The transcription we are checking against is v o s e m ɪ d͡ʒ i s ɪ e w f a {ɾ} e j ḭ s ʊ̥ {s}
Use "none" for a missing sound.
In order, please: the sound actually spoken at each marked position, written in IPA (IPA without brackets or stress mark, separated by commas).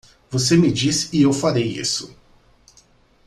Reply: ɾ, none